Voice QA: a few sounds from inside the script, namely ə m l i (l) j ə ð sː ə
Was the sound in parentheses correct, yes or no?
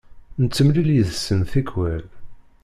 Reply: yes